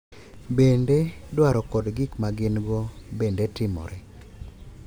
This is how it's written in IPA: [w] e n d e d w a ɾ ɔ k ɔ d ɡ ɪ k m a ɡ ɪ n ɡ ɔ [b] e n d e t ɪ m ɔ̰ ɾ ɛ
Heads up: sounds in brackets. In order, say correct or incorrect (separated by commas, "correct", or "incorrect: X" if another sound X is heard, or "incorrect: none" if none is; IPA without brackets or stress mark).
incorrect: b, correct